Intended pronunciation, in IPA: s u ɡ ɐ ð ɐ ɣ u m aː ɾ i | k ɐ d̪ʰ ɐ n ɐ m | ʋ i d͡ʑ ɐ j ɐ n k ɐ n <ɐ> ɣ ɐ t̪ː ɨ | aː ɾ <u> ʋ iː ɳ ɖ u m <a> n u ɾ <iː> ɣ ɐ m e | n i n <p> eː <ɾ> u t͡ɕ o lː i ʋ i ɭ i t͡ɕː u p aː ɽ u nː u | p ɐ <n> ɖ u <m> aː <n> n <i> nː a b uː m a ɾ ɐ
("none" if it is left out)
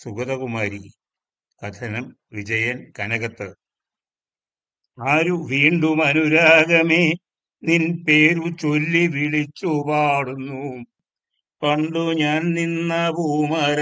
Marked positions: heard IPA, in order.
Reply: ɐ, u, ɐ, aː, p, ɾ, ɳ, ɲ, n, i

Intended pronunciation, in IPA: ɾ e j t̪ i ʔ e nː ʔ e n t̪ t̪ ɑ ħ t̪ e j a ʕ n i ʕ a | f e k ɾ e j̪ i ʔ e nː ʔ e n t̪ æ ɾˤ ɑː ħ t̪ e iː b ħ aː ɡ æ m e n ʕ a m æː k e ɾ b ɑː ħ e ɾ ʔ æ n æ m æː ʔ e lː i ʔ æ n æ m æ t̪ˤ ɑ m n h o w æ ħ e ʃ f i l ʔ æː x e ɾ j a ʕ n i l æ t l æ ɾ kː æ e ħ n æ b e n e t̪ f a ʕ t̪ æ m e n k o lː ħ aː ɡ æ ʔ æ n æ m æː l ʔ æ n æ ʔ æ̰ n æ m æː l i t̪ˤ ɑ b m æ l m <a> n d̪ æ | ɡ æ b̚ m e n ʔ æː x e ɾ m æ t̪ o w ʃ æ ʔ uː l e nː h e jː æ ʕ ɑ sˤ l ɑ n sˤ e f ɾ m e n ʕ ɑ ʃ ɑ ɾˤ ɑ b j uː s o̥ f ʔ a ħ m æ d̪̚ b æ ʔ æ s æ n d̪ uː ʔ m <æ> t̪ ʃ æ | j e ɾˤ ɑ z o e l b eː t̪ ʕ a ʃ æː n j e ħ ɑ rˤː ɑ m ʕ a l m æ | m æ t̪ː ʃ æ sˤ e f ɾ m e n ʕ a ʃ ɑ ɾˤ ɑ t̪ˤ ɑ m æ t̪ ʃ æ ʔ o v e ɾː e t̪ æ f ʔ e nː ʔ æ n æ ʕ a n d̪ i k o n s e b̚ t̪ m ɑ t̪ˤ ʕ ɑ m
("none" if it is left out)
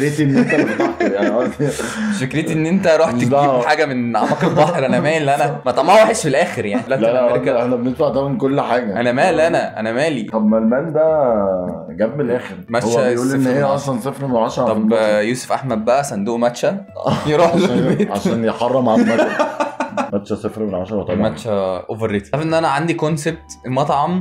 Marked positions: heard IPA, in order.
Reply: æ, æ

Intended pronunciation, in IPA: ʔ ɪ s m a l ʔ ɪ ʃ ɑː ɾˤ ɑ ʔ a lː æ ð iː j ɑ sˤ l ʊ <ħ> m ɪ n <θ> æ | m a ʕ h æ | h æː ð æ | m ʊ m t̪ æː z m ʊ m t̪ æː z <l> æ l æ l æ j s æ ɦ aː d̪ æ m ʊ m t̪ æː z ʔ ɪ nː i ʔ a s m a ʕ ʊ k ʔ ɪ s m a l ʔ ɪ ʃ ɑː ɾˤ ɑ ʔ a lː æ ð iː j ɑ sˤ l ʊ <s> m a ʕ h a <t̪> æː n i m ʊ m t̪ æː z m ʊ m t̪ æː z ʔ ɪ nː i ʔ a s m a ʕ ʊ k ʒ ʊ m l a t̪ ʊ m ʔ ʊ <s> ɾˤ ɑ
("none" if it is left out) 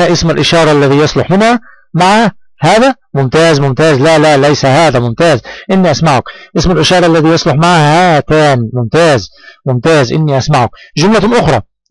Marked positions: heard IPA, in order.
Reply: ħ, h, l, ħ, t̪, x

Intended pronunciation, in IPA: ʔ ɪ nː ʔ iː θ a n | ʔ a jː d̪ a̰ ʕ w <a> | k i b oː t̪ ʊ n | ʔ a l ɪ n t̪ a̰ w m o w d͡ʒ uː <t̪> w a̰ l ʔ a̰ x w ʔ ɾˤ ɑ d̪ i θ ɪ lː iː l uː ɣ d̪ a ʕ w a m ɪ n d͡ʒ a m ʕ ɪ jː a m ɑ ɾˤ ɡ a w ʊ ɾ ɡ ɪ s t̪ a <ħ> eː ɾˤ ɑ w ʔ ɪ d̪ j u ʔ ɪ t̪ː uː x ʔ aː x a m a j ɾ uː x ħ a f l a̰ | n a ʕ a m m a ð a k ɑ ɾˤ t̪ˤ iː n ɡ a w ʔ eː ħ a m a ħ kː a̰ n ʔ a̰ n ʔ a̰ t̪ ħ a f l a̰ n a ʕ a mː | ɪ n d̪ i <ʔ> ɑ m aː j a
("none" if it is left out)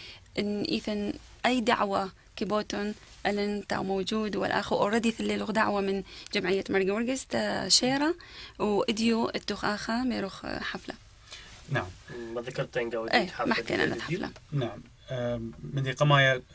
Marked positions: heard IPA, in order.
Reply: a, d̪, ʃ, q

